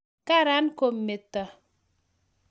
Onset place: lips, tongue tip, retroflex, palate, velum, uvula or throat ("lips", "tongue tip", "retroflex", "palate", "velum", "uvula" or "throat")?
velum